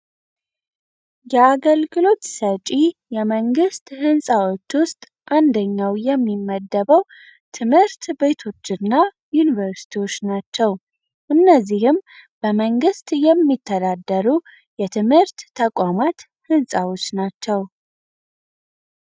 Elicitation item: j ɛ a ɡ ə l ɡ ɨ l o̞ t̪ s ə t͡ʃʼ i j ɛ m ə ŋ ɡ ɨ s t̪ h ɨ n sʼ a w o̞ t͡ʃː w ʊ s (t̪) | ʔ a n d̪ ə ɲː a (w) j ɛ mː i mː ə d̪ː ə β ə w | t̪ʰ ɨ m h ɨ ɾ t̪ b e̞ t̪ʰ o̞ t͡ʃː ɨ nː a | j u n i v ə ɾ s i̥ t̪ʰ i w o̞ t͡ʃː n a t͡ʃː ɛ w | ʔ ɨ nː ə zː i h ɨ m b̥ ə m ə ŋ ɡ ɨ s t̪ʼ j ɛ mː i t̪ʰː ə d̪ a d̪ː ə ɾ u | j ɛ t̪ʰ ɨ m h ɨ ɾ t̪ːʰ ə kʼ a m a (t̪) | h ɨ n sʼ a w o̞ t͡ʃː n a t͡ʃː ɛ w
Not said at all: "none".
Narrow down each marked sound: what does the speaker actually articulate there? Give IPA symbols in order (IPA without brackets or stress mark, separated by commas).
t̪ʼ, w, t̪